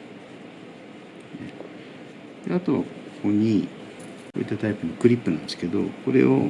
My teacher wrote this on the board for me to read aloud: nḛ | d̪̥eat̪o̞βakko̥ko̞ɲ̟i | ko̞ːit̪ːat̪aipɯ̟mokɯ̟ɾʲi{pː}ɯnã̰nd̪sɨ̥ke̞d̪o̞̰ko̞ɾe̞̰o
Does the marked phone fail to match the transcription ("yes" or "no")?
no